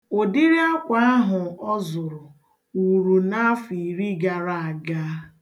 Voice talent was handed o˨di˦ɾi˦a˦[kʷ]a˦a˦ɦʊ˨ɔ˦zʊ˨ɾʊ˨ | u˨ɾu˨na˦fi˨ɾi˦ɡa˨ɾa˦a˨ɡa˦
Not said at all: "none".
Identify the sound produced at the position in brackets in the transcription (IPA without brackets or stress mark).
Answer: kʷ